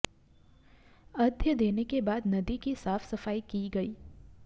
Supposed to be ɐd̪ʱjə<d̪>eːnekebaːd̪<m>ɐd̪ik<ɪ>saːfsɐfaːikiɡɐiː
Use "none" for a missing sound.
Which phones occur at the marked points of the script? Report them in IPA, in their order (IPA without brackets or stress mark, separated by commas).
d̪, n, i